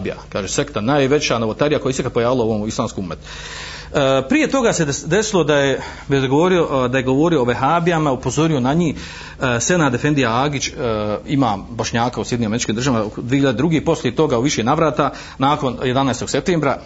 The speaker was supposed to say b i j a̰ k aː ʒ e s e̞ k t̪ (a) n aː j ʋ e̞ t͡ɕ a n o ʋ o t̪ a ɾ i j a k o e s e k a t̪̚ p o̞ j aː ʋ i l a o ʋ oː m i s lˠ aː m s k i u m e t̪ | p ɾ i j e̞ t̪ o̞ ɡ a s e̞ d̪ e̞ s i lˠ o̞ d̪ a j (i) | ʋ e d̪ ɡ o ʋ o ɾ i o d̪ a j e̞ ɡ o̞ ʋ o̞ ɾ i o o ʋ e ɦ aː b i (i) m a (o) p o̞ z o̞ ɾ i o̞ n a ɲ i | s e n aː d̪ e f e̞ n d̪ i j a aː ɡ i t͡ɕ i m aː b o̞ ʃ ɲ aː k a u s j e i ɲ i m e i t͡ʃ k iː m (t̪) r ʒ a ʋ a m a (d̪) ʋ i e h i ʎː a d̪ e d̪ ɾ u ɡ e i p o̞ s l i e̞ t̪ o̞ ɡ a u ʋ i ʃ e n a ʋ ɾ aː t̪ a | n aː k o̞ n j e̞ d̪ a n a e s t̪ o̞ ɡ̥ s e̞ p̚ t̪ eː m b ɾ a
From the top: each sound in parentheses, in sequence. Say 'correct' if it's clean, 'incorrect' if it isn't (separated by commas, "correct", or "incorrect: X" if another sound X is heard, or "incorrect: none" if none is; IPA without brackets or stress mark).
correct, incorrect: e, incorrect: a, incorrect: u, incorrect: d̪, correct